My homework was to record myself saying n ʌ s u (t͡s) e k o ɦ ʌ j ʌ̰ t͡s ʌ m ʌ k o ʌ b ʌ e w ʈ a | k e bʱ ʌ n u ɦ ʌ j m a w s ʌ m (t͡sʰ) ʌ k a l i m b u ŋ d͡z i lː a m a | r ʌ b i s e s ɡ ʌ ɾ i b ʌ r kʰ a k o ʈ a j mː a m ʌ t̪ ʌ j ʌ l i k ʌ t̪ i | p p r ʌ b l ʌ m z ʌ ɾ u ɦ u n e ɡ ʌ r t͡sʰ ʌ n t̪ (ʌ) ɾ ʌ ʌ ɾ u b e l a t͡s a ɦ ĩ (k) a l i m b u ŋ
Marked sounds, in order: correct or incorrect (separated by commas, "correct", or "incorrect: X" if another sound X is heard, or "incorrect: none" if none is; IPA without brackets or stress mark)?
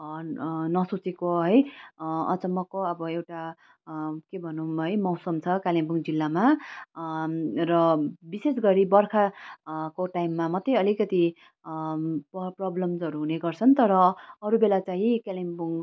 correct, correct, correct, correct